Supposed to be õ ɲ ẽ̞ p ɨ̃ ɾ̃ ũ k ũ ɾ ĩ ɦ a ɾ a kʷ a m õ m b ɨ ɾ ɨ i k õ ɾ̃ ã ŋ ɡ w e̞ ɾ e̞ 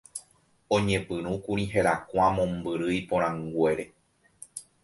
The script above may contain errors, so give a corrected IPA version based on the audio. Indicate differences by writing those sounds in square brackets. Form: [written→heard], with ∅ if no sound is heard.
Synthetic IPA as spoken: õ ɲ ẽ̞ p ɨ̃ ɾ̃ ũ k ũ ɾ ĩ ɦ [a→e] ɾ a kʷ a m õ m b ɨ ɾ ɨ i [k→p] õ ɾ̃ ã ŋ ɡ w e̞ ɾ e̞